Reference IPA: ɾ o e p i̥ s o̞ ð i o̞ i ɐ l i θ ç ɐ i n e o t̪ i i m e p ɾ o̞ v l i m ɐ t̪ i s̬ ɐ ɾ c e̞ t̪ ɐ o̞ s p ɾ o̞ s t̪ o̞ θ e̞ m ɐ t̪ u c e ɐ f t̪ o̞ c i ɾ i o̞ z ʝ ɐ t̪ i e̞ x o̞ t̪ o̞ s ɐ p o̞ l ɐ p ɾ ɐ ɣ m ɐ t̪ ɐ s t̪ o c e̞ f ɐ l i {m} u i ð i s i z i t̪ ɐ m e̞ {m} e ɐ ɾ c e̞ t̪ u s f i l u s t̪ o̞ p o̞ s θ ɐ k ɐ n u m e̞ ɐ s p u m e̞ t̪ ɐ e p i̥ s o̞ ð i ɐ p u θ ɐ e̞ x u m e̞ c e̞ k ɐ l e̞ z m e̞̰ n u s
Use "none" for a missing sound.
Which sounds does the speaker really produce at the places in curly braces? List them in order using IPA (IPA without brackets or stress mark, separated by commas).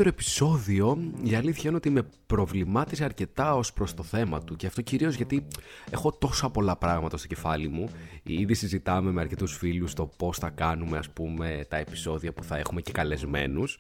m, m